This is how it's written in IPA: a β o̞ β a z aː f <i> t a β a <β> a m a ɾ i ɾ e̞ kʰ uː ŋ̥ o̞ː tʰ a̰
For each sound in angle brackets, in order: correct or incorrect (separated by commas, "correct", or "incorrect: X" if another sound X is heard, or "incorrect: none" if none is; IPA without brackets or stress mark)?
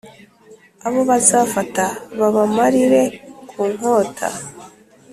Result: incorrect: a, correct